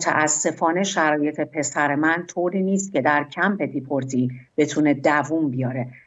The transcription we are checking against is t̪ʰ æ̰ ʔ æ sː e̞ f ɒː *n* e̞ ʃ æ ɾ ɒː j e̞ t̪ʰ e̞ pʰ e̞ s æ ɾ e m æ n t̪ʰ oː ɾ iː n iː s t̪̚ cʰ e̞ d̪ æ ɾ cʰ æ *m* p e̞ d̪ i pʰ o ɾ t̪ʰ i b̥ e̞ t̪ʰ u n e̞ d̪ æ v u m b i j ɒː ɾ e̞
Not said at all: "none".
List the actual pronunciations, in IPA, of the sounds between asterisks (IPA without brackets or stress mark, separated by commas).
n, m